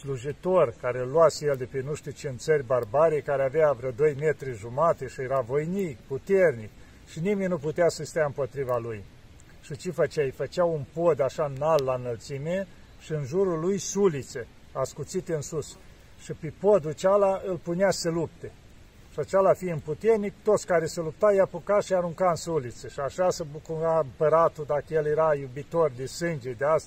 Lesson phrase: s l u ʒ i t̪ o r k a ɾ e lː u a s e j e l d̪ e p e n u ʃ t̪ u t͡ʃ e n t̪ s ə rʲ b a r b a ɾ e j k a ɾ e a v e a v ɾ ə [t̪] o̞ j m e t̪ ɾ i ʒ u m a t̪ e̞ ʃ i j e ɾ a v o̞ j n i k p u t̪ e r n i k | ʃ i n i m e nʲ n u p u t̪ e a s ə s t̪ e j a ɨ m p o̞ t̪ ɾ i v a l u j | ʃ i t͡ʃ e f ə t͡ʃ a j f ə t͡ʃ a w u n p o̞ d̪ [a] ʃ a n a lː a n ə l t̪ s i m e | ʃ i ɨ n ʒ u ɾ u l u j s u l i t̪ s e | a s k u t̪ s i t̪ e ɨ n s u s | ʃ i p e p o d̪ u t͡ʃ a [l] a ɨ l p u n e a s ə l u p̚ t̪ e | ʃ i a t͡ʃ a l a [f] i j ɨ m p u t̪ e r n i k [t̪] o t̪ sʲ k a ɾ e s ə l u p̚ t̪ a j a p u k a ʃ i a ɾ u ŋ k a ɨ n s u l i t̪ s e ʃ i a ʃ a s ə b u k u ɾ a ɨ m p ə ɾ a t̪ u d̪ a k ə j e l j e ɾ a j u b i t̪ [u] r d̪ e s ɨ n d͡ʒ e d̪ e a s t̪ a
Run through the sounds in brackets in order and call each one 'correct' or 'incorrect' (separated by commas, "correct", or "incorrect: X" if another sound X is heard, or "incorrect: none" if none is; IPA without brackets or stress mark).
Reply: incorrect: d̪, correct, correct, correct, correct, incorrect: o